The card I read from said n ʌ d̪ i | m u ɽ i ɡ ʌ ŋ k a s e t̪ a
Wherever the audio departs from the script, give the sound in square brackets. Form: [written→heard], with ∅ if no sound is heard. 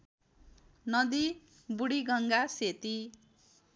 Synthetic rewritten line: n ʌ d̪ i | [m→b] u ɽ i ɡ ʌ ŋ [k→ɡ] a s e t̪ [a→i]

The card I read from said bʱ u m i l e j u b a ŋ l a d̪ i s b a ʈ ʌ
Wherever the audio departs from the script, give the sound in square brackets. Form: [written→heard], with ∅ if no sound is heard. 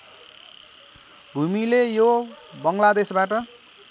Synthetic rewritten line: bʱ u m i l e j [u→o] b [a→ʌ] ŋ l a d̪ [i→e] s b a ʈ ʌ

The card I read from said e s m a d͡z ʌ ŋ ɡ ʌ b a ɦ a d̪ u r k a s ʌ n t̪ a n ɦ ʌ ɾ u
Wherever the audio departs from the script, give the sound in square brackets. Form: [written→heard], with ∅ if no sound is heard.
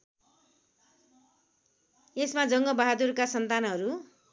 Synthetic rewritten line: e s m a d͡z ʌ ŋ ɡ ʌ b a ɦ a d̪ u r k a s ʌ n t̪ a n ɦ ʌ ɾ u

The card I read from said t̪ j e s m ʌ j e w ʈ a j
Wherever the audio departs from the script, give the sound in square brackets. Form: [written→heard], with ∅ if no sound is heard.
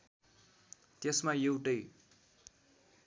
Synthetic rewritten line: t̪ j e s m [ʌ→a] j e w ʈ [a→ʌ] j

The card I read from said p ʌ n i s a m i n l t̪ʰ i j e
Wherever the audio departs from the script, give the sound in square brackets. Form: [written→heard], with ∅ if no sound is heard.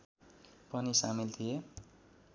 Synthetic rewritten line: p ʌ n i s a m i [n→∅] l t̪ʰ i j e

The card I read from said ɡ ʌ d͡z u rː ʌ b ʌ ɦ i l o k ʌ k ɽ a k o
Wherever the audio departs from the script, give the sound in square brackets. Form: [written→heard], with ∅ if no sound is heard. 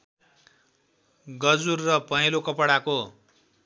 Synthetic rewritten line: ɡ ʌ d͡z u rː ʌ [b→p] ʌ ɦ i l o k ʌ [k→p] ɽ a k o

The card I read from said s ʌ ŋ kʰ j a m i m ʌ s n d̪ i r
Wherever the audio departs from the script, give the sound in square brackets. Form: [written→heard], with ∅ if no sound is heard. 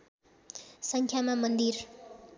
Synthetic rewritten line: s ʌ ŋ kʰ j a m [i→a] m ʌ [s→∅] n d̪ i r

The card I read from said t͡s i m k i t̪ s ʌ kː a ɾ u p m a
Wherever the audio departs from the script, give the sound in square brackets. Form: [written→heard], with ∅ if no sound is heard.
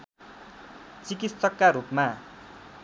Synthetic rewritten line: t͡s i [m→∅] k i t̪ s ʌ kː a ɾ u p m a

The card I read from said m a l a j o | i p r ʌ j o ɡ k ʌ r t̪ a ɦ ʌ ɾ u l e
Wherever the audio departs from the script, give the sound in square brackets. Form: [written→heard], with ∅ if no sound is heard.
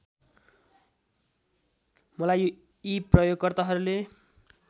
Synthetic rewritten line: m [a→ʌ] l a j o | i p r ʌ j o ɡ k ʌ r t̪ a ɦ ʌ ɾ u l e

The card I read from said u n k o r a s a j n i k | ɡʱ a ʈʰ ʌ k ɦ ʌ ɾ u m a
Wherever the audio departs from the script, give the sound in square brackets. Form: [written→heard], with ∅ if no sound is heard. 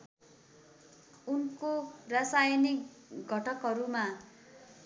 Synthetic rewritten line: u n k o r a s a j n i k | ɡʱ [a→ʌ] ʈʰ ʌ k ɦ ʌ ɾ u m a

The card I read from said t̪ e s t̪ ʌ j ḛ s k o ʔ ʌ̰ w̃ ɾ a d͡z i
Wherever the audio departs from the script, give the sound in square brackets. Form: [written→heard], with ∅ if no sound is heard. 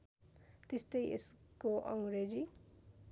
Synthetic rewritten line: t̪ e s t̪ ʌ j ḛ s k o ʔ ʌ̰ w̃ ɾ [a→e] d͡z i

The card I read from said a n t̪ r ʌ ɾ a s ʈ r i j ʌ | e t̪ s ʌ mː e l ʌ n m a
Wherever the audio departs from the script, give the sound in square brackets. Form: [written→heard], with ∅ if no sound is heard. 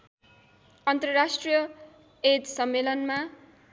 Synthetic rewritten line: [a→ʌ] n t̪ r ʌ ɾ a s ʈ r i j ʌ | e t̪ s ʌ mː e l ʌ n m a

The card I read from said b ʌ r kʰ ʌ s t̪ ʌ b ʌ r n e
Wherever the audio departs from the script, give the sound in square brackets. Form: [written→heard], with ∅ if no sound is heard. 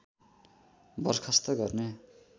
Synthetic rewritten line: b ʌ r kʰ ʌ s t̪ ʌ [b→ɡ] ʌ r n e

